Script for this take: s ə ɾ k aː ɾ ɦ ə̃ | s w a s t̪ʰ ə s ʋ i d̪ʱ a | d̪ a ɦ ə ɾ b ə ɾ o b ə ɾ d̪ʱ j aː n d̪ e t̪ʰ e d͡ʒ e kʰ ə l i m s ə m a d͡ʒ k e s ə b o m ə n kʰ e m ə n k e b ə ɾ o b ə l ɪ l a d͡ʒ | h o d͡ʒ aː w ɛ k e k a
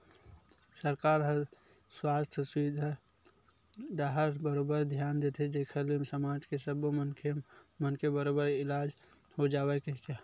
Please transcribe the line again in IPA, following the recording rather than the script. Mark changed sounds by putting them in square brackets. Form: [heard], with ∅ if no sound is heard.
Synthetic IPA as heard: s ə ɾ k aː ɾ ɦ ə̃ | s w a s t̪ʰ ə s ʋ i d̪ʱ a | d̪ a ɦ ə ɾ b ə ɾ o b ə ɾ d̪ʱ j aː n d̪ e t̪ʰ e d͡ʒ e kʰ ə l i m s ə m a d͡ʒ k e s ə b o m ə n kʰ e m ə n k e b ə ɾ o b ə [ɾ] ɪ l a d͡ʒ | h o d͡ʒ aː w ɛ k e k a